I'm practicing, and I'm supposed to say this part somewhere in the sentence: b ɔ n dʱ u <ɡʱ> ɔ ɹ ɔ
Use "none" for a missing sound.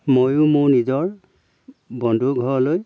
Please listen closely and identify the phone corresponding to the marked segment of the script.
ɡʱ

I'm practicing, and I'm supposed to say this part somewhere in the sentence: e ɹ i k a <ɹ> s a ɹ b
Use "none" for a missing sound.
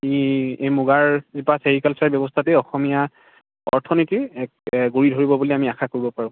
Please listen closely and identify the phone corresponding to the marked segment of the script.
l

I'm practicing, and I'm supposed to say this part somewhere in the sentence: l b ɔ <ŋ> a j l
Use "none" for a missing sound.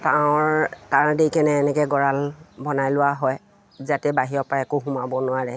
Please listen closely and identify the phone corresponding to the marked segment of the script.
n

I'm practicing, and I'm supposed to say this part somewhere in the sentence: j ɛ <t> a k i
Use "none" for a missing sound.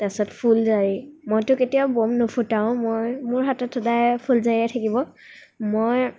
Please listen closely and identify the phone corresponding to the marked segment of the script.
tʰ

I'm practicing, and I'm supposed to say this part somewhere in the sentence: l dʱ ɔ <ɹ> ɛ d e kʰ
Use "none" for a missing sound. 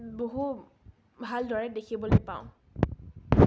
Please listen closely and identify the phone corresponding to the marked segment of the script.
ɹ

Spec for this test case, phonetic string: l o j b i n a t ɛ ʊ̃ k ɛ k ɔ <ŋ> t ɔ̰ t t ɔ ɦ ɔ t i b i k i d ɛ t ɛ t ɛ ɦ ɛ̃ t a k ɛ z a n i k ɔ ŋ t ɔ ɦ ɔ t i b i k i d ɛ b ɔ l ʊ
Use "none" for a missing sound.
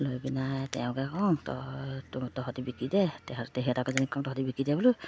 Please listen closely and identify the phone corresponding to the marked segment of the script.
ŋ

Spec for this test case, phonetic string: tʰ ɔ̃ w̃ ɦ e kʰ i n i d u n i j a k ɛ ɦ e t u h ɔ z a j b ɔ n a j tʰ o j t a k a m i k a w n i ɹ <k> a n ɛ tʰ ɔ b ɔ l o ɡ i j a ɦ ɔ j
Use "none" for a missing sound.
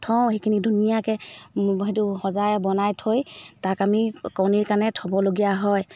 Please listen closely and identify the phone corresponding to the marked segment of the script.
k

